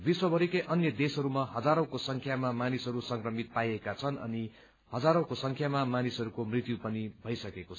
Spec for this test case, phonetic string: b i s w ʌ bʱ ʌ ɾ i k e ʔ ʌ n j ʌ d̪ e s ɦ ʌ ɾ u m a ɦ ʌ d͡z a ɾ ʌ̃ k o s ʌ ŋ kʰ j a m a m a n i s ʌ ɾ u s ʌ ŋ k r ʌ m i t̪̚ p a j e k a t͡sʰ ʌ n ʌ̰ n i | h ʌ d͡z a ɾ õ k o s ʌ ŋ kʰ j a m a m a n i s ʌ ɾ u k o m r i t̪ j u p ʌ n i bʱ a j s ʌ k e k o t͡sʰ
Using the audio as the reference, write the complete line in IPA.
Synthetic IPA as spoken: b i s w ʌ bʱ ʌ ɾ i k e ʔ ʌ n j ʌ d̪ e s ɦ ʌ ɾ u m a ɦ ʌ d͡z a ɾ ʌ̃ k o s ʌ ŋ kʰ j a m a m a n i s ʌ ɾ u s ʌ ŋ k r ʌ m i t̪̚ p a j e k a t͡sʰ ʌ n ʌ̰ n i | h ʌ d͡z a ɾ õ k o s ʌ ŋ kʰ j a m a m a n i s ʌ ɾ u k o m r i t̪ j u p ʌ n i bʱ ʌ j s ʌ k e k o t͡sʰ

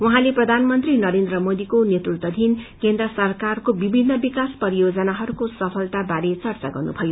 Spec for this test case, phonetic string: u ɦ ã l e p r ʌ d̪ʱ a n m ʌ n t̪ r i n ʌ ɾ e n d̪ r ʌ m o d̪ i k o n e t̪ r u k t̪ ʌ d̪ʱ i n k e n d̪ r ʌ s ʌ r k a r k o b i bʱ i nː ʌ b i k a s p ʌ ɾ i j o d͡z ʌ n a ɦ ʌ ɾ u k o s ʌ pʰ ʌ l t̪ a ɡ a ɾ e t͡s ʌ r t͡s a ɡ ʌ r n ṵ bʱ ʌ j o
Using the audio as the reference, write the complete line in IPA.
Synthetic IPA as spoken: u ɦ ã l e p r ʌ d̪ʱ a n m ʌ n t̪ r i n ʌ ɾ e n d̪ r ʌ m o d̪ i k o n e t̪ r u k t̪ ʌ d̪ʱ i n k e n d̪ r ʌ s ʌ r k a r k o b i bʱ i nː ʌ b i k a s p ʌ ɾ i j o d͡z ʌ n a ɦ ʌ ɾ u k o s ʌ pʰ ʌ l t̪ a b a ɾ e t͡s ʌ r t͡s a ɡ ʌ r n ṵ bʱ ʌ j o

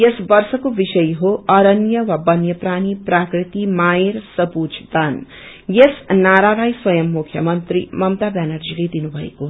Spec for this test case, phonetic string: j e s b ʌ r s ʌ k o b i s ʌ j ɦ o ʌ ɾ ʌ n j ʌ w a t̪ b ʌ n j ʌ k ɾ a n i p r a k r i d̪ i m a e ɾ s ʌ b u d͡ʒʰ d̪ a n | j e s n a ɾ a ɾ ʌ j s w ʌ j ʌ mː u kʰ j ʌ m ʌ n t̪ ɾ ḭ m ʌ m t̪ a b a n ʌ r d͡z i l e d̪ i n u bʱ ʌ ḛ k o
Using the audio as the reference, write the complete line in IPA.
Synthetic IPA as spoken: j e s b ʌ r s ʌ k o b i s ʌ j ɦ o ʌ ɾ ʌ n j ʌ w a b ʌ n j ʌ p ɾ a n i p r a k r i t̪ i m a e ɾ s ʌ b u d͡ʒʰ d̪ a n | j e s n a ɾ a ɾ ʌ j s w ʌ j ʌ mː u kʰ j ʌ m ʌ n t̪ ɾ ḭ m ʌ m t̪ a b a n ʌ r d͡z i l e d̪ i n u bʱ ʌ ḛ k o

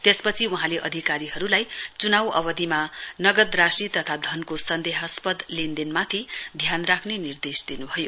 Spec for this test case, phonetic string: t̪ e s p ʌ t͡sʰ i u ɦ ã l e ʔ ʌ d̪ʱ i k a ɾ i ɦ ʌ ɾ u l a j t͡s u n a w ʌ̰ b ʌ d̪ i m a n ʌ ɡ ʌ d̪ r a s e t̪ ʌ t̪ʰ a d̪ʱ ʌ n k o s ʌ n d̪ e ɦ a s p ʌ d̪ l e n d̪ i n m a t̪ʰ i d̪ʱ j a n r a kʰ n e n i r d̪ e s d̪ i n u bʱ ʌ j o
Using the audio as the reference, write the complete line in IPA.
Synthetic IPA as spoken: t̪ e s p ʌ t͡sʰ i u ɦ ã l e ʔ ʌ d̪ʱ i k a ɾ i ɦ ʌ ɾ u l a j t͡s u n a w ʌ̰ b ʌ d̪ i m a n ʌ ɡ ʌ d̪ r a s i t̪ ʌ t̪ʰ a d̪ʱ ʌ n k o s ʌ n d̪ e ɦ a s p ʌ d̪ l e n d̪ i n m a t̪ʰ i d̪ʱ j a n r a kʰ n e n i r d̪ e s d̪ i n u bʱ ʌ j o

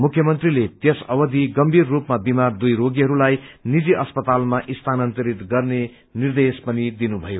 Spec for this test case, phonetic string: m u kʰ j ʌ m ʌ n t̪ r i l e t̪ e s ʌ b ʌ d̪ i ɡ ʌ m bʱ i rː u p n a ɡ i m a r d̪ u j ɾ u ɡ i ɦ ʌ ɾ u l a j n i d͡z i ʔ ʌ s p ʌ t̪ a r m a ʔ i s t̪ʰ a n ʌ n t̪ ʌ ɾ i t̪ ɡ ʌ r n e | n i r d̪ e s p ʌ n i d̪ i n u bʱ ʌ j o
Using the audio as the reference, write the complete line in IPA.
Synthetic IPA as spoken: m u kʰ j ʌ m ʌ n t̪ r i l e t̪ e s ʌ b ʌ d̪ i ɡ ʌ m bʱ i rː u p m a b i m a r d̪ u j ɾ o ɡ i ɦ ʌ ɾ u l a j n i d͡z i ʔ ʌ s p ʌ t̪ a l m a ʔ i s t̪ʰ a n ʌ n t̪ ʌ ɾ i t̪ ɡ ʌ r n e | n i r d̪ e s p ʌ n i d̪ i n u bʱ ʌ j o

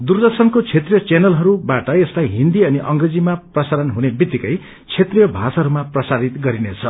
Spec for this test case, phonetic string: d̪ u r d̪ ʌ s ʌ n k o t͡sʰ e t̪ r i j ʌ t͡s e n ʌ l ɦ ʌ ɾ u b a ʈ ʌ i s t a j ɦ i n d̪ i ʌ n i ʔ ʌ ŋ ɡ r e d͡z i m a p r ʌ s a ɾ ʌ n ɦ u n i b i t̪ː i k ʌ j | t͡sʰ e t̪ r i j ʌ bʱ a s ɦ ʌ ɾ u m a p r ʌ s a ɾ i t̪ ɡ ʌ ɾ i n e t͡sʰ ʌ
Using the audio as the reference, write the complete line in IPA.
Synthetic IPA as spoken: d̪ u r d̪ ʌ s ʌ n k o t͡sʰ e t̪ r i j ʌ t͡s e n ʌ l ɦ ʌ ɾ u b a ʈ ʌ e s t a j ɦ i n d̪ i ʌ n i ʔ ʌ ŋ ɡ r e d͡z i m a p r ʌ s a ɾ ʌ n ɦ u n e b i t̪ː i k ʌ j | t͡sʰ e t̪ r i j ʌ bʱ a s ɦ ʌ ɾ u m a p r ʌ s a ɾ i t̪ ɡ ʌ ɾ i n e t͡sʰ ʌ

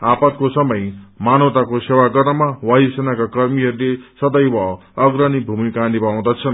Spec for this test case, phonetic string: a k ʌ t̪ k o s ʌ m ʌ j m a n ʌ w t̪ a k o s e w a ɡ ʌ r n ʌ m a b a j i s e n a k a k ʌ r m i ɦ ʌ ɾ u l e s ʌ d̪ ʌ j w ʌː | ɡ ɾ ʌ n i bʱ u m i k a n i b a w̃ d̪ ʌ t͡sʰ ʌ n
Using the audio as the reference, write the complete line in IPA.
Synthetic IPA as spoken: a p ʌ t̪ k o s ʌ m ʌ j m a n ʌ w t̪ a k o s e w a ɡ ʌ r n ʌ m a w a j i s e n a k a k ʌ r m i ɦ ʌ ɾ u l e s ʌ d̪ ʌ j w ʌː | ɡ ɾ ʌ n i bʱ u m i k a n i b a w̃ d̪ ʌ t͡sʰ ʌ n

